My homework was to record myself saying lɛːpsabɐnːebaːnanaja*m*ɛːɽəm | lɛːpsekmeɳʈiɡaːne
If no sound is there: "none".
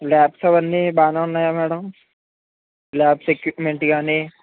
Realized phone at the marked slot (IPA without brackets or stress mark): m